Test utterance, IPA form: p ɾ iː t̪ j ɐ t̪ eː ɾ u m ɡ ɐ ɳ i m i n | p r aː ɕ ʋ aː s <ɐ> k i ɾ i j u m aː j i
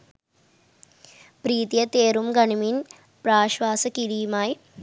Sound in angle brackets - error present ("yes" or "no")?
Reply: no